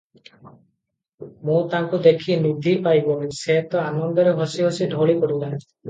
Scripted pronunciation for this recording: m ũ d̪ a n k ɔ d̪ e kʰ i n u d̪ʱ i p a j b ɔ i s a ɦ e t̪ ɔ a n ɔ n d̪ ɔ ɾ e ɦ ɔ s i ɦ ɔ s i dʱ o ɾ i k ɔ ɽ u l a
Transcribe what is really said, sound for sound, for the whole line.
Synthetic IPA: m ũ t̪ a ŋ k u d̪ e kʰ i n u d̪ʱ i p a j b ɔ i s e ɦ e t̪ ɔ a n ɔ n d̪ ɔ ɾ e ɦ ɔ s i ɦ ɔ s i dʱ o ɭ i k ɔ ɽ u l a